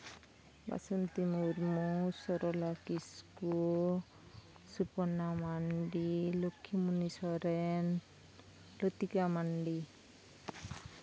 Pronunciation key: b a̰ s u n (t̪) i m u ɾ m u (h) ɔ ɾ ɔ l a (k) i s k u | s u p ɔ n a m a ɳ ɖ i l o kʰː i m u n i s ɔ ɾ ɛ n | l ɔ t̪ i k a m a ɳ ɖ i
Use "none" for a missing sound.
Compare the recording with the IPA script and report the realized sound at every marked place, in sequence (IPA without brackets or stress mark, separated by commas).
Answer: t̪, s, k